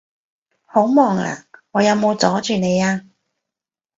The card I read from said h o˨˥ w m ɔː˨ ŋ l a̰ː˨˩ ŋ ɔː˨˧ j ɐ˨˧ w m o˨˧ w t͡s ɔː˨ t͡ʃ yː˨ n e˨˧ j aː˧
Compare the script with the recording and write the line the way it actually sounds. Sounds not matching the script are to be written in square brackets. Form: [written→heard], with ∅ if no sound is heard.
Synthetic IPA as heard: h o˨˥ w m ɔː˨ ŋ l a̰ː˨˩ ŋ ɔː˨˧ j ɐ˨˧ w m o˨˧ w t͡s [ɔː˨→ɔː˨˥] t͡ʃ yː˨ n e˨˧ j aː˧